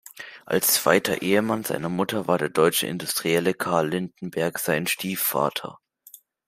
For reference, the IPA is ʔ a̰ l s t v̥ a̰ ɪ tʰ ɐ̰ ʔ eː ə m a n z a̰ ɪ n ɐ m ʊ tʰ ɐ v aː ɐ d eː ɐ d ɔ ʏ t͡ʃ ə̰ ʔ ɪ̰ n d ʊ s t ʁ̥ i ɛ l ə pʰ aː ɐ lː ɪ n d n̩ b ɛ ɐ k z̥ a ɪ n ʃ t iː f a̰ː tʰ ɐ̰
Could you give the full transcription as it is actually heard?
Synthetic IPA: ʔ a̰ l s t͡s v̥ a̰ ɪ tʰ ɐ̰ ʔ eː ə m a n z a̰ ɪ n ɐ m ʊ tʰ ɐ v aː ɐ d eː ɐ d ɔ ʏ t͡ʃ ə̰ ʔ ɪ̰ n d ʊ s t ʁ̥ i ɛ l ə kʰ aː ɐ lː ɪ n d n̩ b ɛ ɐ k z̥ a ɪ n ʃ t iː f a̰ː tʰ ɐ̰